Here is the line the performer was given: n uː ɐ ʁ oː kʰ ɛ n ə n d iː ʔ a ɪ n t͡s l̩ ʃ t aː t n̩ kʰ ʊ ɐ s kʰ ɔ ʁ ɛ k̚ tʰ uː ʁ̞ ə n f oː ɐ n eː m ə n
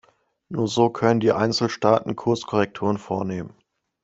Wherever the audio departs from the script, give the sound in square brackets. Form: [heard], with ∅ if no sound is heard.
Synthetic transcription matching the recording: n uː ɐ [z] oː kʰ [œ] n ə n d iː ʔ a ɪ n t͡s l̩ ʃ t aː t n̩ kʰ ʊ ɐ s kʰ ɔ ʁ ɛ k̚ tʰ uː ʁ̞ ə n f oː ɐ n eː m ə n